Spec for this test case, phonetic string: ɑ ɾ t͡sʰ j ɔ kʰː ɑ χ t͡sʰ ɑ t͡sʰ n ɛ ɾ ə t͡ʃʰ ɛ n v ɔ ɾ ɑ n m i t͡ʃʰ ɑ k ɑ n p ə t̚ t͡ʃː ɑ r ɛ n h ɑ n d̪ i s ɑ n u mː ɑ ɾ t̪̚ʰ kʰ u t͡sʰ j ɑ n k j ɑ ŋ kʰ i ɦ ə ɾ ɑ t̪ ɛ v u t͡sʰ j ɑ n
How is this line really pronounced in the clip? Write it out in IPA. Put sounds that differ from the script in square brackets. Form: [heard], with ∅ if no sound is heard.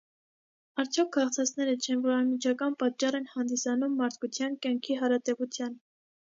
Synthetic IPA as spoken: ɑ ɾ t͡sʰ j ɔ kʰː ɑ χ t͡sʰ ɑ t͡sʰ n ɛ ɾ ə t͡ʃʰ ɛ n v ɔ ɾ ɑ n m i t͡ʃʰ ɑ k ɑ n p [ɑ] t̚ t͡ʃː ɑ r ɛ n h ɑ n d̪ i s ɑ n u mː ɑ ɾ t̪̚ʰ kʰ u t͡sʰ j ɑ n k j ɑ ŋ kʰ i ɦ [ɑ] ɾ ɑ t̪ ɛ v u t͡sʰ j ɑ n